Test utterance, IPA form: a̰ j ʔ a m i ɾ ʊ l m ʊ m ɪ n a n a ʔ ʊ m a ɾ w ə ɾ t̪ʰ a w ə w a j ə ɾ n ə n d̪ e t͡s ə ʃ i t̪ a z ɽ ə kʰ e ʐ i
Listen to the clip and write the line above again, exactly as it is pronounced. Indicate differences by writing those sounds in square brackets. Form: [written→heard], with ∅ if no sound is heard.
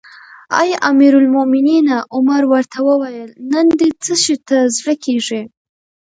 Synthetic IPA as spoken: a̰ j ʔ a m i ɾ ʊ l m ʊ m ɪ n [a→i] n a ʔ ʊ m a ɾ w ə ɾ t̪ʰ a w ə w a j ə [ɾ→l] n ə n d̪ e t͡s ə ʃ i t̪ a z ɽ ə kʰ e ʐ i